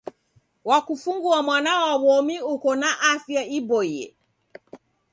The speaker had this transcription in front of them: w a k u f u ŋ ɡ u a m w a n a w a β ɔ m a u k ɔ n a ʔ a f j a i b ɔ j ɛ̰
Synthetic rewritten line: w a k u f u ŋ ɡ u a m w a n a w a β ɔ m i u k ɔ n a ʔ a f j a i b ɔ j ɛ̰